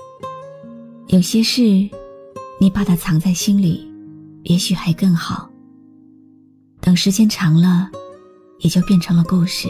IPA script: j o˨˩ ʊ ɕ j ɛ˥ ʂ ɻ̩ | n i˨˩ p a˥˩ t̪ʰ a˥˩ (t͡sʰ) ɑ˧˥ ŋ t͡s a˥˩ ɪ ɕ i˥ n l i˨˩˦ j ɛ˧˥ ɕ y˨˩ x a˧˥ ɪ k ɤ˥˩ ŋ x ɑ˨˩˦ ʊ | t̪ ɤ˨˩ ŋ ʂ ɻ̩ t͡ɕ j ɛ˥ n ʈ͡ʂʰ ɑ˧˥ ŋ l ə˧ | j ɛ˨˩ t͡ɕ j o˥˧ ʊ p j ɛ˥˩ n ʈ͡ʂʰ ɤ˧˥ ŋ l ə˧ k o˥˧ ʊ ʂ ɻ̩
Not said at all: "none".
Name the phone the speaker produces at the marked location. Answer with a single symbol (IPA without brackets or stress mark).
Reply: t͡sʰ